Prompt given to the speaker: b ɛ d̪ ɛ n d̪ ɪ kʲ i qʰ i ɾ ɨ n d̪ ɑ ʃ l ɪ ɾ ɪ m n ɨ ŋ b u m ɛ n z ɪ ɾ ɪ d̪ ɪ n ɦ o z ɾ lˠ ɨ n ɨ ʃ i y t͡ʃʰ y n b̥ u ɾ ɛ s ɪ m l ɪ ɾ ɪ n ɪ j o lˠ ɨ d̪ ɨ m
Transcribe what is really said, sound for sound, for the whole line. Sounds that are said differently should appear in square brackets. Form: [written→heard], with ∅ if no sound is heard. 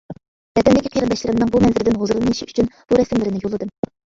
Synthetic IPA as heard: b ɛ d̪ ɛ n d̪ ɪ kʲ i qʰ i ɾ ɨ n d̪ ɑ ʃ l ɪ ɾ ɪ m n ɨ ŋ b u m ɛ n z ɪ ɾ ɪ d̪ ɪ n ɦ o z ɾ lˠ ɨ n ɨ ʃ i y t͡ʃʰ y n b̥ u ɾ ɛ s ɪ m l ɪ ɾ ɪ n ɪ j o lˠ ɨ d̪ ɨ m